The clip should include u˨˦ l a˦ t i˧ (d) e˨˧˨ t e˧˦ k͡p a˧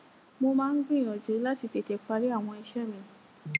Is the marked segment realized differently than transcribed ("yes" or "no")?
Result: yes